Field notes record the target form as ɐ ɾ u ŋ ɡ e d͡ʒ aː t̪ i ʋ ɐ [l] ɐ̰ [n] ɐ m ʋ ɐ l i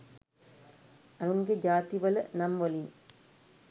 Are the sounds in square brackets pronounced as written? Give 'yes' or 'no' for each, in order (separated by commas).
yes, yes